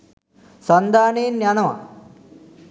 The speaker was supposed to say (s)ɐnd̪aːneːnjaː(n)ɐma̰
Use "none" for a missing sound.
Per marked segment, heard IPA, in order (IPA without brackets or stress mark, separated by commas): s, n